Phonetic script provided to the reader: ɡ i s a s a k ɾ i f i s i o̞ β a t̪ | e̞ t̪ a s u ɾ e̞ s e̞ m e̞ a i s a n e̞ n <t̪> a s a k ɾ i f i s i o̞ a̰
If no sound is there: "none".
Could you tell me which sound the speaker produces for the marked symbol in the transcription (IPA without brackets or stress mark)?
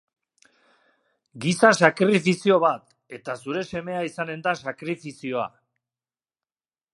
d̪